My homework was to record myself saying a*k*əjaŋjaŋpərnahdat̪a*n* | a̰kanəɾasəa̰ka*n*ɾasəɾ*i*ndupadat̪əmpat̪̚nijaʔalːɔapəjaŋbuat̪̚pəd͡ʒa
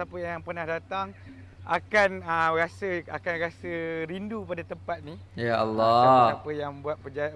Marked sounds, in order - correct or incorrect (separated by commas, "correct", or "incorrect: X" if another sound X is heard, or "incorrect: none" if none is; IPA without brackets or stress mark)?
incorrect: p, incorrect: ŋ, correct, correct